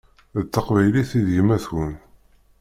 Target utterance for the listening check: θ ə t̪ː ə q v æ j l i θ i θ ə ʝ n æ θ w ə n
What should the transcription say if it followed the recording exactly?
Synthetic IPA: ð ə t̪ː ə q v æ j l i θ i ð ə ʝ m æ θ w ə n